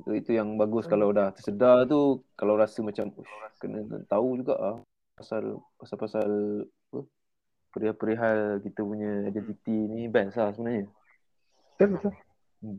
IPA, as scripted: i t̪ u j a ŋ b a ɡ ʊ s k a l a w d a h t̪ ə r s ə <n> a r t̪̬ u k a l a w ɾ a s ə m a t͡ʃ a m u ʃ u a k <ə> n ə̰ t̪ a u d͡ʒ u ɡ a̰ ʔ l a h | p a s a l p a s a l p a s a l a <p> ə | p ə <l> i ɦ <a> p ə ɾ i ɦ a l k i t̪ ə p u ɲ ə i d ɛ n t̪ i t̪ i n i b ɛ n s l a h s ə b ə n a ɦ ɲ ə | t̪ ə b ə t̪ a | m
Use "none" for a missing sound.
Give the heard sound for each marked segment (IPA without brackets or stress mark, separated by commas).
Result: d, ə, p, ɾ, a